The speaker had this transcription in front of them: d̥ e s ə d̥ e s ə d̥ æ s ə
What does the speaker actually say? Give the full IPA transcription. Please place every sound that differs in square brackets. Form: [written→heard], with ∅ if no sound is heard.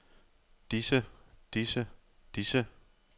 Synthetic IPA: d̥ [e→i] s ə d̥ [e→i] s ə d̥ [æ→i] s ə